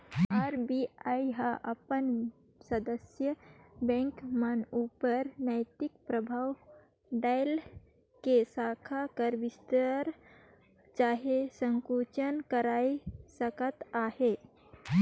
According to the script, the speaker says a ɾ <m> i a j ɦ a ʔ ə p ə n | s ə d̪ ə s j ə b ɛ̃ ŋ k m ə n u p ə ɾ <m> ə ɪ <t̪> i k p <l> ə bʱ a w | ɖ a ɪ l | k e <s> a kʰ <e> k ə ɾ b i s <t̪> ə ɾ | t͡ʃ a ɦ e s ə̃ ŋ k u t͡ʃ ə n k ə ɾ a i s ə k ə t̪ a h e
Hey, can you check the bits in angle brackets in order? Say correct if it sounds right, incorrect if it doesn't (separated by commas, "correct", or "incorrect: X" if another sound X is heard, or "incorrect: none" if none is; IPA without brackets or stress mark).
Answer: incorrect: b, incorrect: n, correct, incorrect: ɾ, correct, incorrect: a, correct